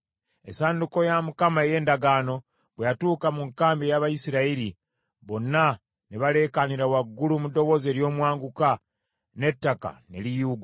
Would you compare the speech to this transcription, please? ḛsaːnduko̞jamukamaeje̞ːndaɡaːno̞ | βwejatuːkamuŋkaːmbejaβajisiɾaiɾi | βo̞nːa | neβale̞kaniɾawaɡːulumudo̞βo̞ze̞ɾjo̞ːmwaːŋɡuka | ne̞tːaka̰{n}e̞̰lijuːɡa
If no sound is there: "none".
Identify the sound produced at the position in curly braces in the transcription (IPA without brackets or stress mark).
n